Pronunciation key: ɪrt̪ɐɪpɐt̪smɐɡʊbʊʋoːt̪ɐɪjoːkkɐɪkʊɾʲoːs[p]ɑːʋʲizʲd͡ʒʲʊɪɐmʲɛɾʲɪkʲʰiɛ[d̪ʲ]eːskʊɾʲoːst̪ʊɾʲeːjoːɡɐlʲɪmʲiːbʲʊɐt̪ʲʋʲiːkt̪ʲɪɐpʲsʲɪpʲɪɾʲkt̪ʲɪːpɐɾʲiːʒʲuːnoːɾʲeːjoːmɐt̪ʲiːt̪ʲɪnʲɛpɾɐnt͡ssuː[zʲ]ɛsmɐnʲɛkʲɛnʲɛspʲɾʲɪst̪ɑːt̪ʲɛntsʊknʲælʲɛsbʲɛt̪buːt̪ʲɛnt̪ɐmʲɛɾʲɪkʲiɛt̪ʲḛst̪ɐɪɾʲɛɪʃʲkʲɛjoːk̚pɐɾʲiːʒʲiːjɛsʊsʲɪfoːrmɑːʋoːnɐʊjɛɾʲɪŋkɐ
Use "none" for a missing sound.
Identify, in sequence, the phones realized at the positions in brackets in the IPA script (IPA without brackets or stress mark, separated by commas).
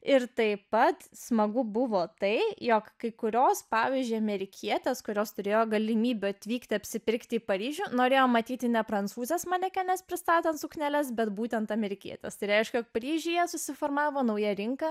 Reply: p, t̪ʲ, zʲ